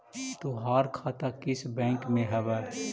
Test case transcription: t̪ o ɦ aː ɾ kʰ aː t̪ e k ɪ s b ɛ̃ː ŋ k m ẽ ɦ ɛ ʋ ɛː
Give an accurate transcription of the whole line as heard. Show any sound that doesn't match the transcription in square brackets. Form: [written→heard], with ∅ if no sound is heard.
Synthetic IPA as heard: t̪ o ɦ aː ɾ kʰ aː t̪ [e→a] k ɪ s b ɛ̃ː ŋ k m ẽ ɦ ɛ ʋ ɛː